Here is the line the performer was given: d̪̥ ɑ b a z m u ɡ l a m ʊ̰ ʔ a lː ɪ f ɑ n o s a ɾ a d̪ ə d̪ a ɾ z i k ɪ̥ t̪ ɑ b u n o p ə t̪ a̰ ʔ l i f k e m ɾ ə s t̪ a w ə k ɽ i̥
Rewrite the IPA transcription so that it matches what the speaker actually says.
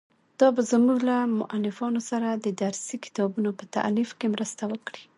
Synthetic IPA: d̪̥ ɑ b a z m u ɡ l a m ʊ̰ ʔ a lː ɪ f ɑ n o s a ɾ a d̪ ə d̪ a ɾ s i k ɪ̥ t̪ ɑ b u n o p ə t̪ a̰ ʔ l i f k e m ɾ ə s t̪ a w ə k ɽ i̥